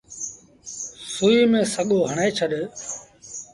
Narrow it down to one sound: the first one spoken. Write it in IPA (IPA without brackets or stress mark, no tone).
s